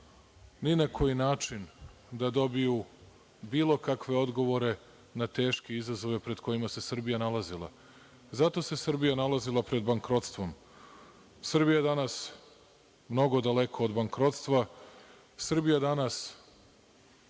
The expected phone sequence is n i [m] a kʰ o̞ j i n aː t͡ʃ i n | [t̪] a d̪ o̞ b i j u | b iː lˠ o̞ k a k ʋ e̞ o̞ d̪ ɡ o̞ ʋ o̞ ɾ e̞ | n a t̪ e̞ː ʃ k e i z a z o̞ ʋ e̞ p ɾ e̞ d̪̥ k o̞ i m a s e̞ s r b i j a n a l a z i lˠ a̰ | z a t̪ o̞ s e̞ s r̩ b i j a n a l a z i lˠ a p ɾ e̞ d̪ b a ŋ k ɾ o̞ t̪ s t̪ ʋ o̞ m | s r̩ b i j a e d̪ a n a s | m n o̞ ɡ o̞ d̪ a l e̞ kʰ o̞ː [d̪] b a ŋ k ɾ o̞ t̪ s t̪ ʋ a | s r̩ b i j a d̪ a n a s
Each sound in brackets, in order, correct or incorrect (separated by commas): incorrect, incorrect, correct